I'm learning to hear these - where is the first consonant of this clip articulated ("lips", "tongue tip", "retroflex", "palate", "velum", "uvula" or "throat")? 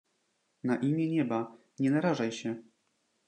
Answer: tongue tip